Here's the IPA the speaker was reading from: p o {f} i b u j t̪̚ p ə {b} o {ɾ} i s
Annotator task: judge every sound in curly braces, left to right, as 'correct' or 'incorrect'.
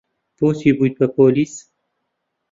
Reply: incorrect, incorrect, incorrect

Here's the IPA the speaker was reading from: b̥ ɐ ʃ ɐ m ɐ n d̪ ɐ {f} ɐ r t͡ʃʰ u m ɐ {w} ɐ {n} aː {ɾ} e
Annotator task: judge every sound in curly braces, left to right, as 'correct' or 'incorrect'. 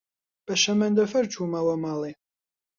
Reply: correct, correct, incorrect, incorrect

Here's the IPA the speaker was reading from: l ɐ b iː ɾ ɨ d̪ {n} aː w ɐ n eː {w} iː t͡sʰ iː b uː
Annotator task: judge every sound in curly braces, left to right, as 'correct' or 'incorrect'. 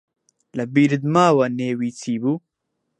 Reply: incorrect, correct

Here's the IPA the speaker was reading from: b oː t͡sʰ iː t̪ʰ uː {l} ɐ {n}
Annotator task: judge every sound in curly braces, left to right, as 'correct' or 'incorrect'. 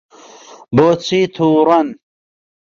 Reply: incorrect, correct

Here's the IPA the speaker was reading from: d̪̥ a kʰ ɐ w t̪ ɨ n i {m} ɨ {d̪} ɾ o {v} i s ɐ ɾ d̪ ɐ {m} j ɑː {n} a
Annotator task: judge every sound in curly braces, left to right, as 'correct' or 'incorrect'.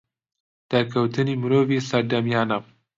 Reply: correct, incorrect, correct, correct, correct

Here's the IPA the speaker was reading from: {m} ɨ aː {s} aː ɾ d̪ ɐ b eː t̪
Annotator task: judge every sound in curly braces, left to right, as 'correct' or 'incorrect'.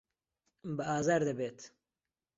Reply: incorrect, incorrect

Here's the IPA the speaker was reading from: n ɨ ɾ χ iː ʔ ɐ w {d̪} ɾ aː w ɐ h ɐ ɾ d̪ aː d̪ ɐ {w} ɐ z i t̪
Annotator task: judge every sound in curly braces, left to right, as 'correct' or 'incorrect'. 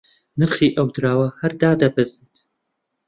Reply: correct, incorrect

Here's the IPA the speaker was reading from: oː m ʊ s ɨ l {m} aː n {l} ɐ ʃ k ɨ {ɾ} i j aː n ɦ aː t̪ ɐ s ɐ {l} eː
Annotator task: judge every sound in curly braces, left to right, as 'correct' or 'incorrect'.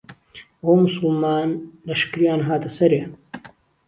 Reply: correct, correct, correct, incorrect

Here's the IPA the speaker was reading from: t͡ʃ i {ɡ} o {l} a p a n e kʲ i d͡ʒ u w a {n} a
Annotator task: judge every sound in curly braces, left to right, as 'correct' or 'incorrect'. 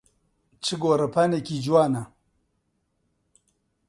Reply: correct, incorrect, correct

